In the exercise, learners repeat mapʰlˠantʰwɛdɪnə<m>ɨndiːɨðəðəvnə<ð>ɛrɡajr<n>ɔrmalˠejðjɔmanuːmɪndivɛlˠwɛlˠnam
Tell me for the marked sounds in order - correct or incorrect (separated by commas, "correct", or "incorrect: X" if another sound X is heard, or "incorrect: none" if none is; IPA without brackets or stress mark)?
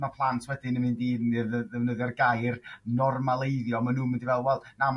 correct, correct, correct